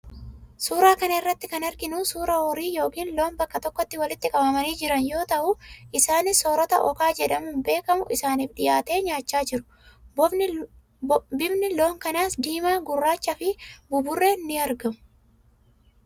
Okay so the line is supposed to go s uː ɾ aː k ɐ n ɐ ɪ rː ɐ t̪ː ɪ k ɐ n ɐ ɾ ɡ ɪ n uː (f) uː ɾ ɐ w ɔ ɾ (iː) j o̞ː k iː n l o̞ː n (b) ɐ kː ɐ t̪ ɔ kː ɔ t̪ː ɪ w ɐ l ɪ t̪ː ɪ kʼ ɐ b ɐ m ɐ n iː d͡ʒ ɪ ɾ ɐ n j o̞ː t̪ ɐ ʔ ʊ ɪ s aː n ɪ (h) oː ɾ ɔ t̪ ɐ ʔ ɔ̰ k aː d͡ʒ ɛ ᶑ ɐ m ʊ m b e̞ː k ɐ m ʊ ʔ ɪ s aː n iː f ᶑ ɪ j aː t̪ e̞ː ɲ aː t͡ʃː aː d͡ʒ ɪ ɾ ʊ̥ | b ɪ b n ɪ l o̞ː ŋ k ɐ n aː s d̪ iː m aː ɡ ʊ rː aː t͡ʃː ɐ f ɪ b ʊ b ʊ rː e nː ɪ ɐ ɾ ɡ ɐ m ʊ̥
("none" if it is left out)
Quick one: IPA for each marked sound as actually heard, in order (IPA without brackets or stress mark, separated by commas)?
s, iː, b, s